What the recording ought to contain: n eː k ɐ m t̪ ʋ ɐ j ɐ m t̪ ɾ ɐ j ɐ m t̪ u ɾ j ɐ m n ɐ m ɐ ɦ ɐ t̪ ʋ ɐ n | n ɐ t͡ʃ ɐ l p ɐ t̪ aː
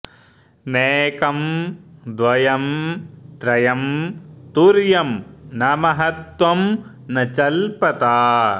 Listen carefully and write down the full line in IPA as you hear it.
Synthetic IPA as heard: n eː k ɐ m d̪ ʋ ɐ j ɐ m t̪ ɾ ɐ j ɐ m t̪ u ɾ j ɐ m n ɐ m ɐ ɦ ɐ t̪ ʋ ɐ m | n ɐ t͡ʃ ɐ l p ɐ t̪ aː

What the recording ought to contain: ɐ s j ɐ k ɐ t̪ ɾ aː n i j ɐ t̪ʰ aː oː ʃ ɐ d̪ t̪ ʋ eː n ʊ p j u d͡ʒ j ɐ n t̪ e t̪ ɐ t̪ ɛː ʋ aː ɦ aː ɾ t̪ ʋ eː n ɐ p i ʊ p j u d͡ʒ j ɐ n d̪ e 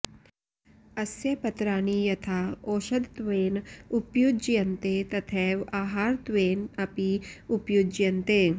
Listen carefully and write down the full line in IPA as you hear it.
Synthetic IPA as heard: ɐ s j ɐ p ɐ t̪ ɾ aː n i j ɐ t̪ʰ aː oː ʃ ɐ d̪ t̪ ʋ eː n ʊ p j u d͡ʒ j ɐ n t̪ e t̪ ɐ t̪ʰ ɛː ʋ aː ɦ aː ɾ t̪ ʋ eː n ɐ p i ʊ p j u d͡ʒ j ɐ n t̪ e

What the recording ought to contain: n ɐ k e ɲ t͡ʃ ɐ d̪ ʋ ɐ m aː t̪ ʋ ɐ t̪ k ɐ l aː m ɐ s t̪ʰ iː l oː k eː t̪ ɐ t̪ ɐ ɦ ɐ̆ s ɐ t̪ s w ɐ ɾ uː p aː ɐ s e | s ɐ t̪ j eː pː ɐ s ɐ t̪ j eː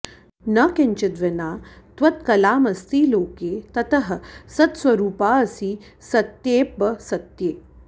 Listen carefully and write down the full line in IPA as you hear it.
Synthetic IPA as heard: n ɐ k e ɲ t͡ʃ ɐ d̪ ʋ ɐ n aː t̪ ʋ ɐ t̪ k ɐ l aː m ɐ s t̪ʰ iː l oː k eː t̪ ɐ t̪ ɐ ɦ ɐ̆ s ɐ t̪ s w ɐ ɾ uː p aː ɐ s i | s ɐ t̪ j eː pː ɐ s ɐ t̪ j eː

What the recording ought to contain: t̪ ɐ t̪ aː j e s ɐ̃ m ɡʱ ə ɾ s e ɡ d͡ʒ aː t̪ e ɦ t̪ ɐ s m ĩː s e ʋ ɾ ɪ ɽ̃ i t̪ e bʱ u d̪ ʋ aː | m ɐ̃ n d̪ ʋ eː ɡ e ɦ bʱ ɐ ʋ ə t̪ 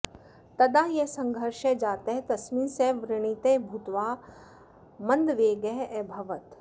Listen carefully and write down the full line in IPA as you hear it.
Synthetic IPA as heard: t̪ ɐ d̪ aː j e s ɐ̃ ŋ ɡʱ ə ɾ ʃ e d͡ʒ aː t̪ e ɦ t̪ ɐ s m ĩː s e ʋ ɾ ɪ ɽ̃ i t̪ e bʱ u t̪ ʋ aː | m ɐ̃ n d̪ ʋ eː ɡ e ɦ bʱ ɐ ʋ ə t̪

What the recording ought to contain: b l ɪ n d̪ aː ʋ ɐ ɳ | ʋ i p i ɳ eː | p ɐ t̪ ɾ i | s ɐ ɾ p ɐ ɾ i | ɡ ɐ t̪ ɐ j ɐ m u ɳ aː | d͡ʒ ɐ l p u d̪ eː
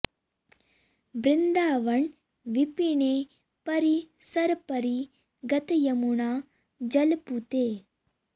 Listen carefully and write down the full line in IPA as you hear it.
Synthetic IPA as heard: b ɾ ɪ n d̪ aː ʋ ɐ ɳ | ʋ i p i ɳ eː | p ɐ ɾ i | s ɐ ɾ p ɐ ɾ i | ɡ ɐ t̪ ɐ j ɐ m u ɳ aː | d͡ʒ ɐ l p u t̪ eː

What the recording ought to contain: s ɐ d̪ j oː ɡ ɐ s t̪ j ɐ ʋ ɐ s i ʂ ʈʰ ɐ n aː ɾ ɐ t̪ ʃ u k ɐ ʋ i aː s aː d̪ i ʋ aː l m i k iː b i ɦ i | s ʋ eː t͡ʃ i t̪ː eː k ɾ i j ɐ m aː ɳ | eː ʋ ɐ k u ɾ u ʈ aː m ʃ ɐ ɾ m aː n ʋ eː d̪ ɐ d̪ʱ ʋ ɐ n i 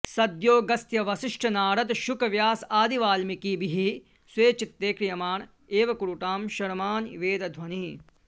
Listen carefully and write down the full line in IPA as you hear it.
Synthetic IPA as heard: s ɐ d̪ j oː ɡ ɐ s t̪ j ɐ ʋ ɐ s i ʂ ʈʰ ɐ n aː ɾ ɐ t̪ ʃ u k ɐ ʋ j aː s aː d̪ i ʋ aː l m i k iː b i ɦ i | s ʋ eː t͡ʃ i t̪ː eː k ɾ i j ɐ m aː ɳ | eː ʋ ɐ k u ɾ u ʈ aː m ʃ ɐ ɾ m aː n ʋ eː d̪ ɐ d̪ʱ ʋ ɐ n i

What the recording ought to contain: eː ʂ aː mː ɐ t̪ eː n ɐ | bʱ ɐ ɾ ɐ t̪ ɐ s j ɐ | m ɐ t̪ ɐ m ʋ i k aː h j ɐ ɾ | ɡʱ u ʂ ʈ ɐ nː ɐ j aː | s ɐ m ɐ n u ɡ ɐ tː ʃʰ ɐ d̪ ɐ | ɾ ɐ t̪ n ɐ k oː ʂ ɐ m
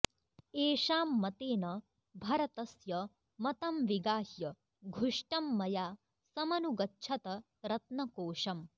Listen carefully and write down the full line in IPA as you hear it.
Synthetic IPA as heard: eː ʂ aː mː ɐ t̪ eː n ɐ | bʱ ɐ ɾ ɐ t̪ ɐ s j ɐ | m ɐ t̪ ɐ m ʋ i ɡ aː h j ɐ | ɡʱ u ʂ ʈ ɐ mː ɐ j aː | s ɐ m ɐ n u ɡ ɐ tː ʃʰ ɐ t̪ ɐ | ɾ ɐ t̪ n ɐ k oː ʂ ɐ m

